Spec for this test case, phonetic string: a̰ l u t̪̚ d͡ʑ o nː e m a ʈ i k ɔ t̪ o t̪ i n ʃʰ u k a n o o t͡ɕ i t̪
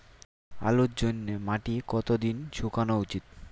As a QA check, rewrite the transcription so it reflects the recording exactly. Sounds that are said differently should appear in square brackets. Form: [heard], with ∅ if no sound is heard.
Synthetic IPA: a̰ l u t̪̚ d͡ʑ o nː e m a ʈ i k ɔ t̪ o [d̪] i n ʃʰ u k a n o [u] t͡ɕ i t̪